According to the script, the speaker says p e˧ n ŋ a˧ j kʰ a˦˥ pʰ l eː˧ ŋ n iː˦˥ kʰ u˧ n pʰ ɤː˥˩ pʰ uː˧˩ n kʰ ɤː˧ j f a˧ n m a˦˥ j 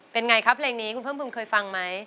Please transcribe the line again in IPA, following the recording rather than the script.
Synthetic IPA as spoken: p e˧ n ŋ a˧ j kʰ a˦˥ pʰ l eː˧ ŋ n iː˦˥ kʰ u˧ n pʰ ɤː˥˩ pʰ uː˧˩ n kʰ ɤː˧ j f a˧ ŋ m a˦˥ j